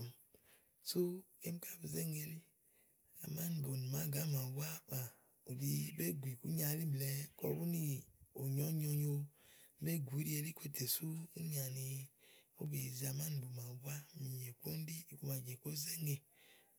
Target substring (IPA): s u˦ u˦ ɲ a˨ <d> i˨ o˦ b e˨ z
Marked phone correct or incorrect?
incorrect